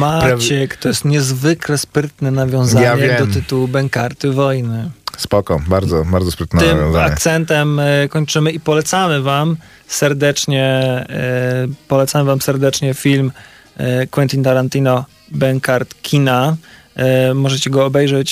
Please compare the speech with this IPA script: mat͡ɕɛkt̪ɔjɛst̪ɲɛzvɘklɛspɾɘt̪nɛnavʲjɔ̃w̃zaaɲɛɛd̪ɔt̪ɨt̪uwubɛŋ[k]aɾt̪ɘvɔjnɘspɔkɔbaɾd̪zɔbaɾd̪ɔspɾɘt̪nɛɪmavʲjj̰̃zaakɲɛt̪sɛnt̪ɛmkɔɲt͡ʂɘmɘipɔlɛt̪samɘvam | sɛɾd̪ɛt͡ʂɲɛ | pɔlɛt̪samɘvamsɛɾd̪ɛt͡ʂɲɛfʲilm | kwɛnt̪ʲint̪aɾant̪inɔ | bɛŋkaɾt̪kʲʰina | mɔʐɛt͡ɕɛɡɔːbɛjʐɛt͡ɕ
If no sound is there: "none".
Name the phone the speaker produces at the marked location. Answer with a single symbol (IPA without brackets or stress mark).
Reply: k